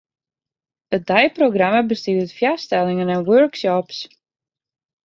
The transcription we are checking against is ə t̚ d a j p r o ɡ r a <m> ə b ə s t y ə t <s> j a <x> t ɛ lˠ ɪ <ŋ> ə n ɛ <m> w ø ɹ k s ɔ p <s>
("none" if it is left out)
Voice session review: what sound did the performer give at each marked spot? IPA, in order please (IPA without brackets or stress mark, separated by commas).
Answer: m, f, s, ŋ, n, s